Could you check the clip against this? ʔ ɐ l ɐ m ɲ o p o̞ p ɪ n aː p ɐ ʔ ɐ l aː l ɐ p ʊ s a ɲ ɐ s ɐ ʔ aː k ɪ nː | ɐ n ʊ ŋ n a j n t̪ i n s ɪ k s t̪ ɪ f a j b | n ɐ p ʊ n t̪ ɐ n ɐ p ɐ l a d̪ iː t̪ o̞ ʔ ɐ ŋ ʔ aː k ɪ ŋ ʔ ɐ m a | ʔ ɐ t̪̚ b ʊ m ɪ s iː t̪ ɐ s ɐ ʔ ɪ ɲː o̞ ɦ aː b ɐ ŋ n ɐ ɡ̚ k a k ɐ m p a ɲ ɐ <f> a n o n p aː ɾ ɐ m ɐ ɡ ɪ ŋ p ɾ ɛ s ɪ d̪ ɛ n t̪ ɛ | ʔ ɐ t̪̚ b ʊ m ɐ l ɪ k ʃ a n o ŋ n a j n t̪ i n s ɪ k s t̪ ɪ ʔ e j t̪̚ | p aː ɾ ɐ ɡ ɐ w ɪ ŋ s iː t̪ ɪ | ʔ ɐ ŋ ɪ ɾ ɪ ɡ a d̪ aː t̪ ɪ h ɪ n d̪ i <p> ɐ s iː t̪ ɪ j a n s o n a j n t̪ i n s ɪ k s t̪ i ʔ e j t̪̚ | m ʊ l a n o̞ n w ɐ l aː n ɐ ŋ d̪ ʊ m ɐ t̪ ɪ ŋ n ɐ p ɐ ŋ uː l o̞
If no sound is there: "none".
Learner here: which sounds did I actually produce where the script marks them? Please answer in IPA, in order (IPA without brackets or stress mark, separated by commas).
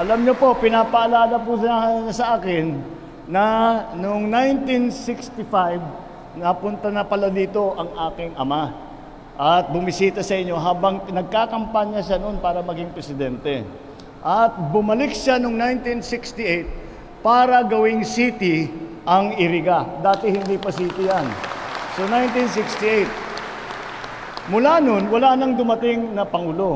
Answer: ʃ, p